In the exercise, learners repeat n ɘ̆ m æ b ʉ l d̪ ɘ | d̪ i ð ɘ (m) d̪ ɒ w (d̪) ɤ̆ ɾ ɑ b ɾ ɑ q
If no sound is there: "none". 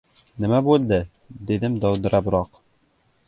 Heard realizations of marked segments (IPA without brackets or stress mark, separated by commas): m, d̪